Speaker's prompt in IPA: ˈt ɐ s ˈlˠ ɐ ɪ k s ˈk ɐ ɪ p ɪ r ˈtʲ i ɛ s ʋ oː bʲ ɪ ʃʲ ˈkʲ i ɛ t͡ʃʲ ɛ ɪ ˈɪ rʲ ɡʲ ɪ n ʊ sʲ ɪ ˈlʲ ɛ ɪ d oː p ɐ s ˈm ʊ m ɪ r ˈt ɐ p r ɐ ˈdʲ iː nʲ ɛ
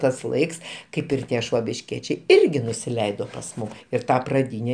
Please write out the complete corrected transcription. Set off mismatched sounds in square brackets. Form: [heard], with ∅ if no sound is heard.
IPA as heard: ˈt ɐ s ˈlˠ ɐ ɪ k s ˈk ɐ ɪ p ɪ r ˈtʲ i ɛ [ʃ] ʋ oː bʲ ɪ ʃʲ ˈkʲ i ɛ t͡ʃʲ ɛ ɪ ˈɪ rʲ ɡʲ ɪ n ʊ sʲ ɪ ˈlʲ ɛ ɪ d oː p ɐ s ˈm ʊ m ɪ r ˈt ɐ p r ɐ ˈdʲ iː nʲ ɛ